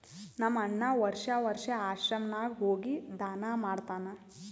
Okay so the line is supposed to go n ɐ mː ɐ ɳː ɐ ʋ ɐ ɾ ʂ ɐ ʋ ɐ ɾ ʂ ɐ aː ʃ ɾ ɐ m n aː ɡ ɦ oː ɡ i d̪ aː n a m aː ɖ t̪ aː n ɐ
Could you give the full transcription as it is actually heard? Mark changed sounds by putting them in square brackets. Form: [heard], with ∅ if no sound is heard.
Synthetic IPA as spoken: n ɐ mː ɐ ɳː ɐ ʋ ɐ ɾ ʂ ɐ ʋ ɐ ɾ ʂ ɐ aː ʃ ɾ ɐ m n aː ɡ ɦ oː ɡ i d̪ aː n a m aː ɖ t̪ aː n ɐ